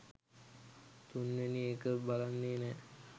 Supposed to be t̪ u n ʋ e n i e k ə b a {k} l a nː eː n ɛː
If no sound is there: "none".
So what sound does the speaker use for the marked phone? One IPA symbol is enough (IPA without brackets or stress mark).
none